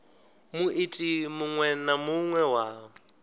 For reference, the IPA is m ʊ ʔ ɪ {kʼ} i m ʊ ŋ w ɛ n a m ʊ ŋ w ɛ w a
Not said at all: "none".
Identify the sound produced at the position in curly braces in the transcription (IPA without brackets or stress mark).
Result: tʼ